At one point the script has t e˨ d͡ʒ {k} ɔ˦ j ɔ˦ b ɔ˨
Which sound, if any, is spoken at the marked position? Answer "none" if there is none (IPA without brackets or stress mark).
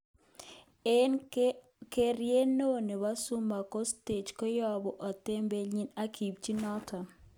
k